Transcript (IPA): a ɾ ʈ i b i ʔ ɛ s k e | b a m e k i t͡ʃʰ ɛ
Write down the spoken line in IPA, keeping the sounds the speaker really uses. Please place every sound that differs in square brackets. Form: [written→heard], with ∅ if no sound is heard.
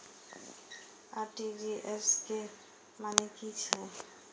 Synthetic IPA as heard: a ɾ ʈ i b i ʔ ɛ s k e | [b→m] a [m→n] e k i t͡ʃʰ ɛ